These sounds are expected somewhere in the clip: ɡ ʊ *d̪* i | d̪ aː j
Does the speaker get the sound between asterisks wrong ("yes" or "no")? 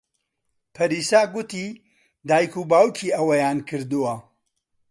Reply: yes